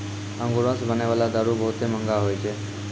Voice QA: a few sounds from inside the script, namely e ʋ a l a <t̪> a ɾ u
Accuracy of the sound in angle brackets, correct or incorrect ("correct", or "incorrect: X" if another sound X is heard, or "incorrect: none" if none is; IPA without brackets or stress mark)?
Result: incorrect: d̪